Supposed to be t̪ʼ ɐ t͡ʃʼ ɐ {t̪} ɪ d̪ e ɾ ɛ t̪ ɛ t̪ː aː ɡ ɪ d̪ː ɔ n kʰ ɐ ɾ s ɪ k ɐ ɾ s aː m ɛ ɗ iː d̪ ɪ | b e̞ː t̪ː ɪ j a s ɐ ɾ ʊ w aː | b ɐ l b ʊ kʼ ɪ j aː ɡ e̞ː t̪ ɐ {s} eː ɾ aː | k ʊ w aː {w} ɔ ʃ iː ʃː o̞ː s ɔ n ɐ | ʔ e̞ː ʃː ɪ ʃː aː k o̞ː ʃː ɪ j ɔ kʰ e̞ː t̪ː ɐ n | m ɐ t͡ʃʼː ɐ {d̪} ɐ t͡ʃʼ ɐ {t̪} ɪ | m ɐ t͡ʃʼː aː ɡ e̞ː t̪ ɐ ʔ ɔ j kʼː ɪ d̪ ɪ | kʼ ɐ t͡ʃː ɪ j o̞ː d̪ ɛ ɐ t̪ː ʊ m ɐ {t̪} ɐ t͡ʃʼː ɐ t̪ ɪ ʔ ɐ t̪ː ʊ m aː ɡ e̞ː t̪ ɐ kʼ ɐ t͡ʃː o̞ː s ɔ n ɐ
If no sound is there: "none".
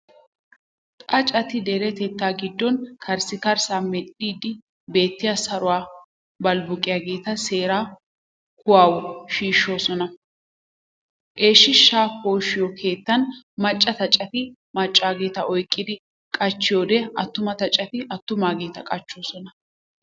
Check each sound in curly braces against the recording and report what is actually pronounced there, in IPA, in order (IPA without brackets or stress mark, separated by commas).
t̪, s, w, t̪, t̪, t̪